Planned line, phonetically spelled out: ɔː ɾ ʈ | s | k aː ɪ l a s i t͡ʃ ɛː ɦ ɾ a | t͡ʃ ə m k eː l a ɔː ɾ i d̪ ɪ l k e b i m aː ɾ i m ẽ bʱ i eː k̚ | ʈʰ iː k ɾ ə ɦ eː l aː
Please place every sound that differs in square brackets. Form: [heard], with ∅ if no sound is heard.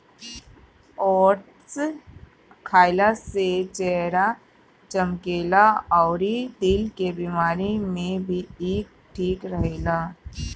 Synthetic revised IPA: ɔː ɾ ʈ | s | [kʰ] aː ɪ l a s [e] t͡ʃ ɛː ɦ ɾ a | t͡ʃ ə m k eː l a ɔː ɾ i d̪ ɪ l k e b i m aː ɾ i m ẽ bʱ i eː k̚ | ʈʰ iː k ɾ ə ɦ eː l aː